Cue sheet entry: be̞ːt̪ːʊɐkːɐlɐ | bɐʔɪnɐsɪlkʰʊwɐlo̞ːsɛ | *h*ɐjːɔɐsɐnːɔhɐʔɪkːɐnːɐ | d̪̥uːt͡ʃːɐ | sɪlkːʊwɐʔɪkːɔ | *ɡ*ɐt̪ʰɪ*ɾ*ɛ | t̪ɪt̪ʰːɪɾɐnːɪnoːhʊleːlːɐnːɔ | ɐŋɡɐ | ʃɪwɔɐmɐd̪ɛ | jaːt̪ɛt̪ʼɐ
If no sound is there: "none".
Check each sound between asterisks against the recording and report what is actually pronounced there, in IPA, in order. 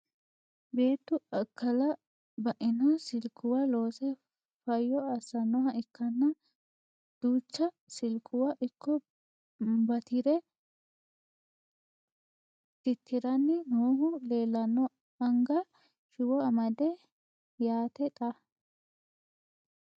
f, b, ɾ

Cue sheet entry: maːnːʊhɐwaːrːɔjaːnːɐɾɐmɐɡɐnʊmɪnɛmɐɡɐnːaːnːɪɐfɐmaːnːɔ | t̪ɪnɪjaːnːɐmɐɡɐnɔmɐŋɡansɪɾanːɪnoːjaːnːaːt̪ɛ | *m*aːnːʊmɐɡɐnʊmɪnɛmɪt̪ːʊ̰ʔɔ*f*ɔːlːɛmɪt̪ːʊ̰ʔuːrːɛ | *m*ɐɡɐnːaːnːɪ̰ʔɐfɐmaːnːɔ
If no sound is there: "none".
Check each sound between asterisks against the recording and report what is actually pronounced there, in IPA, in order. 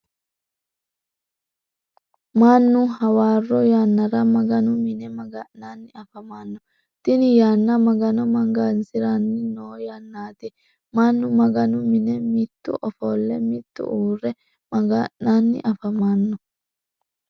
m, f, m

